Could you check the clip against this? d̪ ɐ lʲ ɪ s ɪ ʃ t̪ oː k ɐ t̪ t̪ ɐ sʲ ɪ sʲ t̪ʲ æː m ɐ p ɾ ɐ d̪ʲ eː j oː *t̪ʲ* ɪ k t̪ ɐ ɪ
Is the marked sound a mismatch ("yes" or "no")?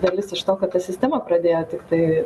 no